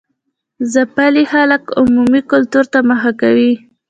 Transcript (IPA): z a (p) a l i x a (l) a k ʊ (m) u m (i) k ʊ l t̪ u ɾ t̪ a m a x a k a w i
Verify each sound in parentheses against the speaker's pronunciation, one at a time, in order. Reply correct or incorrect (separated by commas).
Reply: correct, correct, correct, correct